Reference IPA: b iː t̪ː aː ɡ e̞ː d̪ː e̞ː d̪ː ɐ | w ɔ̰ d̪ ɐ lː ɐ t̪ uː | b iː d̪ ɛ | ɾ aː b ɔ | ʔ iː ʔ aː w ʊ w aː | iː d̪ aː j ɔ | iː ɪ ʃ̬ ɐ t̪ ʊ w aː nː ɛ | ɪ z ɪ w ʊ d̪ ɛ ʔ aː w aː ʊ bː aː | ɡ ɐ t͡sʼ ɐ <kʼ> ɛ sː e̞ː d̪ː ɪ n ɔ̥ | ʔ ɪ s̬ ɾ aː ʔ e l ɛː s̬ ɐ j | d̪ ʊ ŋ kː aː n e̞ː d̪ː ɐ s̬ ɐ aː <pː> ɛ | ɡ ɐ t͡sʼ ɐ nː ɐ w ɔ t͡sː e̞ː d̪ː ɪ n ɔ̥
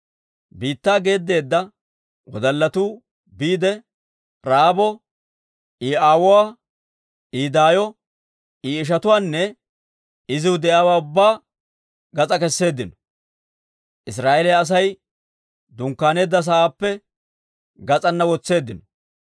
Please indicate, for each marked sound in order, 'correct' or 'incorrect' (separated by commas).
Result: incorrect, correct